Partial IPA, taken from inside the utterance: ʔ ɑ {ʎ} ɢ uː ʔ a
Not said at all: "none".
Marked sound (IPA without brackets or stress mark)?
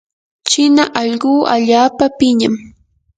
ʎ